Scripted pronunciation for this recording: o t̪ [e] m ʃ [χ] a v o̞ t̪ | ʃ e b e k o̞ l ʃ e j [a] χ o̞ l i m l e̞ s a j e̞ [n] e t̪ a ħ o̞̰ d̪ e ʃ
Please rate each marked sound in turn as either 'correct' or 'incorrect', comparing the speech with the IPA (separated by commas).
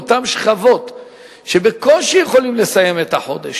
incorrect, correct, incorrect, incorrect